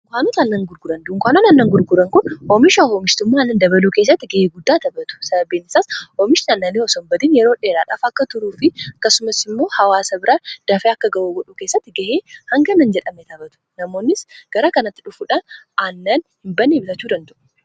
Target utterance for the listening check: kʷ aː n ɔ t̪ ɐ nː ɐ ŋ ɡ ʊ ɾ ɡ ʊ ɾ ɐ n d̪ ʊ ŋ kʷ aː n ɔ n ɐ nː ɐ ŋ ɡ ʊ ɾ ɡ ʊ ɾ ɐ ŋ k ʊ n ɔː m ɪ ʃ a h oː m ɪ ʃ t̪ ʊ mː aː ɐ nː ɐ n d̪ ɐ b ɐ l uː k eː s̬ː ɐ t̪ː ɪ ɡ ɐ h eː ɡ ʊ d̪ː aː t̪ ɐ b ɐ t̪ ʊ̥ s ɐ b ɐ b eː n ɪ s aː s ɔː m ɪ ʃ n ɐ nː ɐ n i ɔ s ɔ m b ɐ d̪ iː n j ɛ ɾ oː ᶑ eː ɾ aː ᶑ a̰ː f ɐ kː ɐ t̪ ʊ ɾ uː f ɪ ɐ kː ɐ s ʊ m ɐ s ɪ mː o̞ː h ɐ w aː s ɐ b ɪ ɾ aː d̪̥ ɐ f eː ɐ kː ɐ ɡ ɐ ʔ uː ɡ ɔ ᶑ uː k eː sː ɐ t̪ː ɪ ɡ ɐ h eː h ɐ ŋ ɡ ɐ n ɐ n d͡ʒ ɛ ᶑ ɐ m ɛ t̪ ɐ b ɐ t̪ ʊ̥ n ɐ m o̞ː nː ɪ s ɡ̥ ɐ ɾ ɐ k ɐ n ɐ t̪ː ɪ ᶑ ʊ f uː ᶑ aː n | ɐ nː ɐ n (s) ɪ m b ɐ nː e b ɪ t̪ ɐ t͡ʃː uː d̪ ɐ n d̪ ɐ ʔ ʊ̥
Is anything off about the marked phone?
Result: yes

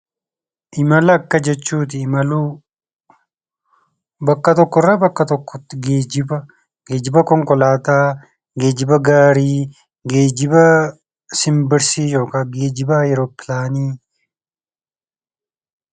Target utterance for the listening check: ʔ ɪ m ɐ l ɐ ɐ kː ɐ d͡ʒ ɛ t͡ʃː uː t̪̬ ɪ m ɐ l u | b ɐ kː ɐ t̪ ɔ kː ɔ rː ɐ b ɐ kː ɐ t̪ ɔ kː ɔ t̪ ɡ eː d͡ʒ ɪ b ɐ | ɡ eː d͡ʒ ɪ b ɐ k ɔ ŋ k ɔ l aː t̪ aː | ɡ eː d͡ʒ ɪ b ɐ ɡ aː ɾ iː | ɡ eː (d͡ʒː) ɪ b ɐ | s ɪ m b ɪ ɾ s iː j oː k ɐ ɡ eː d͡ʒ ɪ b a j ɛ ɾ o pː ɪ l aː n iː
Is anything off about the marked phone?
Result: yes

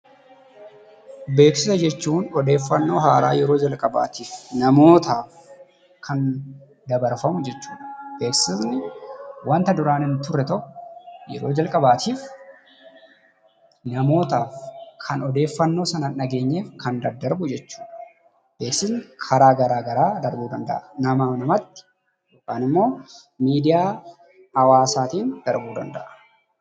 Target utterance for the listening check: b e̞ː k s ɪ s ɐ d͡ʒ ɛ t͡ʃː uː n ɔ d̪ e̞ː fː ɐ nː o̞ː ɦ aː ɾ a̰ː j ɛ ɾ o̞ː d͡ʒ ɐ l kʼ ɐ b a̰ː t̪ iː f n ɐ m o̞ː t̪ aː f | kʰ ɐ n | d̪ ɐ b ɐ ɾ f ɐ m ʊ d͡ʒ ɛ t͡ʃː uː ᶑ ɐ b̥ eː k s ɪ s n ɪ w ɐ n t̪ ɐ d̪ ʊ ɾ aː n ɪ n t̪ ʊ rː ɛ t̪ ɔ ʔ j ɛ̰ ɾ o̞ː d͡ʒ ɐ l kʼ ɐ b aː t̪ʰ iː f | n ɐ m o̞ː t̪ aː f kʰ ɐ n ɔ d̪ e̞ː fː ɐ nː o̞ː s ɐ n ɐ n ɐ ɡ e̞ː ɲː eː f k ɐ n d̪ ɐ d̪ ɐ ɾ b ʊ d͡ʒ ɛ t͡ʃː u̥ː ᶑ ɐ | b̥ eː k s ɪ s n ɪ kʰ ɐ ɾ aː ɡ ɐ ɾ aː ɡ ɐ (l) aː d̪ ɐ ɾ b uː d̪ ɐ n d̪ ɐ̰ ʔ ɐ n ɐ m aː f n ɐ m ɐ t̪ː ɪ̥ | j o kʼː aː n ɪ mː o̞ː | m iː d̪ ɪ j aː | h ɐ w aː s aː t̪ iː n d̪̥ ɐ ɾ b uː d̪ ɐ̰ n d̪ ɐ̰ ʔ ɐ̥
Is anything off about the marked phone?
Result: yes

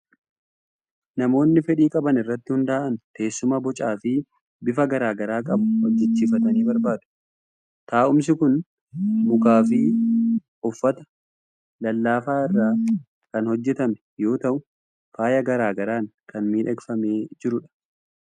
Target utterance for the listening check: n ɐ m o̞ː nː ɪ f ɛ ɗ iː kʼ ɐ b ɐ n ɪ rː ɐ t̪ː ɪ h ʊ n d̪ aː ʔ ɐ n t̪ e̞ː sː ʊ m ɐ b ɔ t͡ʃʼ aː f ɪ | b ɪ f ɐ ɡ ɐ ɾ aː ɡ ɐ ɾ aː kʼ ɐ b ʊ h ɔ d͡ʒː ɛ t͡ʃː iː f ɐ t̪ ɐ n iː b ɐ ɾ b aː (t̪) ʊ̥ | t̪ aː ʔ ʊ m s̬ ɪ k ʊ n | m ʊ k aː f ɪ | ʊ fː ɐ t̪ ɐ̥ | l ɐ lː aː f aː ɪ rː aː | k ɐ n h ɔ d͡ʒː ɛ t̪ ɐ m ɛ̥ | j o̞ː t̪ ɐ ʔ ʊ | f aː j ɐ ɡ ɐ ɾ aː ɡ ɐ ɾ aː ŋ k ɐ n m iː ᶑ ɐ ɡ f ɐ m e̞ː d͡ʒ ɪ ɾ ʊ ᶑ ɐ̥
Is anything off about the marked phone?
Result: yes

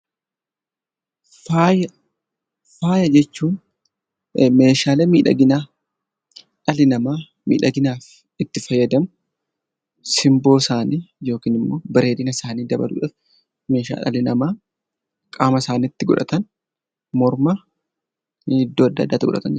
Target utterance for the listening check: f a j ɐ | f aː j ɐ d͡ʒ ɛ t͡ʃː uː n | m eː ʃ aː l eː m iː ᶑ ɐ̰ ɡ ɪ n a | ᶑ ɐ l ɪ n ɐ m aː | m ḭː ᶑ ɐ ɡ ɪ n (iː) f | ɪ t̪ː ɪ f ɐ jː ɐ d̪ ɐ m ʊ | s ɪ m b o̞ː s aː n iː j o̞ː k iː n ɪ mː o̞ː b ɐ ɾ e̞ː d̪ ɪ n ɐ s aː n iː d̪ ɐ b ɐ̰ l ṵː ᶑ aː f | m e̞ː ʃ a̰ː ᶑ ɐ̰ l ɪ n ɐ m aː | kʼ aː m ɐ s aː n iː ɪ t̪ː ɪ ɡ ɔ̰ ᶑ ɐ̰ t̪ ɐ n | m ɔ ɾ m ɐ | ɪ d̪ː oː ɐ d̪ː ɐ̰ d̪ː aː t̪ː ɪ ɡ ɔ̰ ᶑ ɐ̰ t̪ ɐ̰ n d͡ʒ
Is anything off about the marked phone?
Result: yes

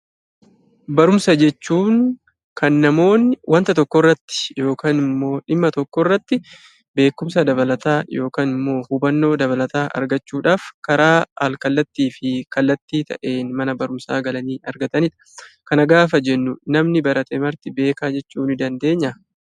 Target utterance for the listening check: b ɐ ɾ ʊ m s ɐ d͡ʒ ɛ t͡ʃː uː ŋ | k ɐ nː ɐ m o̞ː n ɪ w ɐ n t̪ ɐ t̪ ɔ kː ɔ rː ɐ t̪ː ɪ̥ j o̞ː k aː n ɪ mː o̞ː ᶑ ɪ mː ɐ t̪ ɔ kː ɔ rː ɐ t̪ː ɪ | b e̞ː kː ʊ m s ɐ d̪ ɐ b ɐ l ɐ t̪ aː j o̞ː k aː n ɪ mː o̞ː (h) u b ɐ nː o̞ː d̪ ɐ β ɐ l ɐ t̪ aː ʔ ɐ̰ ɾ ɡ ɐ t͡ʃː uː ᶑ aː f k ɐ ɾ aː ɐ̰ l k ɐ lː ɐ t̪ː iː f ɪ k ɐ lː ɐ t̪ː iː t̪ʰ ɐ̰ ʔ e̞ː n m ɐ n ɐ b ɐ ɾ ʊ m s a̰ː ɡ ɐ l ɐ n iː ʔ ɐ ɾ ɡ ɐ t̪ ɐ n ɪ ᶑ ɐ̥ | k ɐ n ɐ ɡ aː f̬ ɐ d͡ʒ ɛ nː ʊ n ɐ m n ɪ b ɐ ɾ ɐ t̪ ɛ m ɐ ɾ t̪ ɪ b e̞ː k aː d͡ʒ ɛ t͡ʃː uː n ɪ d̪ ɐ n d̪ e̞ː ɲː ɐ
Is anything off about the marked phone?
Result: no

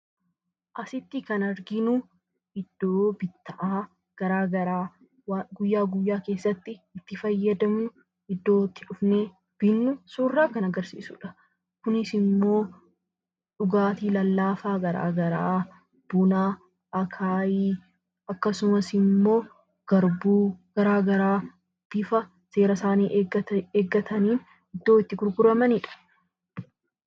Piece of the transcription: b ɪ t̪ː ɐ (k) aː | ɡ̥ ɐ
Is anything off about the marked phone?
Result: yes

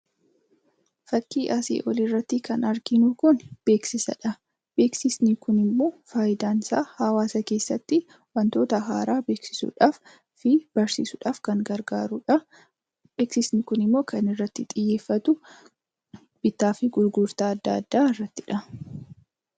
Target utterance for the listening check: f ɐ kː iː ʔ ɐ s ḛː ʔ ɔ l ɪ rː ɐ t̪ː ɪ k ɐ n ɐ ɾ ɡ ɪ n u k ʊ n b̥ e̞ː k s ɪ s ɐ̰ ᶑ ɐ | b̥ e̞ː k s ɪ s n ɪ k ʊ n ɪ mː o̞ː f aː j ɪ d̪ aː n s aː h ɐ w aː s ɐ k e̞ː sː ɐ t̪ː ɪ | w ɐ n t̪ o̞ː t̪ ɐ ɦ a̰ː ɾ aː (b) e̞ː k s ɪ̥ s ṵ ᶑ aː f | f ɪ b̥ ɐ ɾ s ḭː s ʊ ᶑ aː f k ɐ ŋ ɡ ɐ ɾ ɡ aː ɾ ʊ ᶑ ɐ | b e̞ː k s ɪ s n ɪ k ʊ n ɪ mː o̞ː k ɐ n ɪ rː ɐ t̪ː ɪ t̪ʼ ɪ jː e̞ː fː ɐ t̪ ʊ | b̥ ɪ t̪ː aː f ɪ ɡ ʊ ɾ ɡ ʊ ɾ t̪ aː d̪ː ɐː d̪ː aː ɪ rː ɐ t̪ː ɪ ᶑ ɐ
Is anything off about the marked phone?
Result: no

